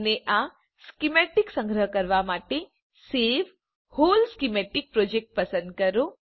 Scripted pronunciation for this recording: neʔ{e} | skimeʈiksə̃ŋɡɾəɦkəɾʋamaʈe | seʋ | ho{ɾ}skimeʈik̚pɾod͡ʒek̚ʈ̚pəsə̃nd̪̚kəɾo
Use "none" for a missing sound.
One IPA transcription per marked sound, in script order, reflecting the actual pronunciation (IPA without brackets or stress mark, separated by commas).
a, l